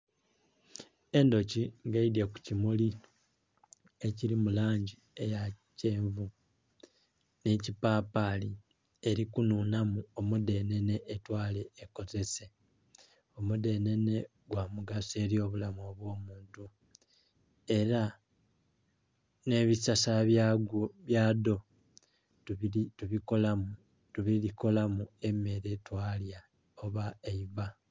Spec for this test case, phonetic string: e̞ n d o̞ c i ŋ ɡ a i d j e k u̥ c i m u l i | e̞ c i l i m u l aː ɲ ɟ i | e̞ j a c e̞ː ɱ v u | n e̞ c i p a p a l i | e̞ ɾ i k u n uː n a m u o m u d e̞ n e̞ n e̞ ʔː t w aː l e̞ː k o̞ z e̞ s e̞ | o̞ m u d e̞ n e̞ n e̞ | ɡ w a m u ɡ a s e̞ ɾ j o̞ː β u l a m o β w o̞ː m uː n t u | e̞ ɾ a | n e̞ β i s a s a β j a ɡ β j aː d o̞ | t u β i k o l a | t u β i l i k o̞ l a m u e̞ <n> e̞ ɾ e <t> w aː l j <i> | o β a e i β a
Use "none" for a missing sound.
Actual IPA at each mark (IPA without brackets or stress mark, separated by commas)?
m, t, a